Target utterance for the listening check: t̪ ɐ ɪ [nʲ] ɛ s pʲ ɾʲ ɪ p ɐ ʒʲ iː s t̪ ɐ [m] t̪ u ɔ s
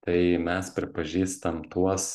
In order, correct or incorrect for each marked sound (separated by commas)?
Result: incorrect, correct